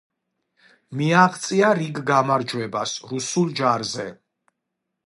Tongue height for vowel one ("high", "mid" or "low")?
high